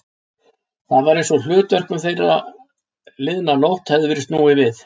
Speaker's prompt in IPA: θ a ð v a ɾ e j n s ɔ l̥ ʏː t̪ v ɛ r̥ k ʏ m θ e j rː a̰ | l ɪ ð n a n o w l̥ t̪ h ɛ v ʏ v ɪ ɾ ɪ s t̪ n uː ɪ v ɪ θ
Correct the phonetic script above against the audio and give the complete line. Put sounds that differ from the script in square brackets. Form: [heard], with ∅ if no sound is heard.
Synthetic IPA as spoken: θ a ð v a ɾ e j n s ɔ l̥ ʏː t̪ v [œ] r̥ k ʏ m θ e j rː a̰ | l ɪ ð n a n o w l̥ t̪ h ɛ [ð] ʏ v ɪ ɾ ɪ s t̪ n uː ɪ v ɪ θ